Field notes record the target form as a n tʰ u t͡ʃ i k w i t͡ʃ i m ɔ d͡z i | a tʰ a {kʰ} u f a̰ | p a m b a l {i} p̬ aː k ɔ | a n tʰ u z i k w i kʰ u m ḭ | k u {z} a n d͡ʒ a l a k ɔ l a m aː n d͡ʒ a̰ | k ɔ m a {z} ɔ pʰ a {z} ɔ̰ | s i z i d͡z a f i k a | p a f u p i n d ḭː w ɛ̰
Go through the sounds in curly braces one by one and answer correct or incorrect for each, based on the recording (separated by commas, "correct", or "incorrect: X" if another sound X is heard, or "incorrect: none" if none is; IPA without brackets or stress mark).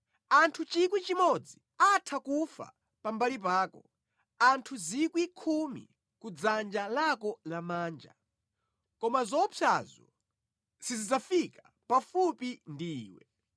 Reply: incorrect: k, correct, incorrect: d͡z, correct, correct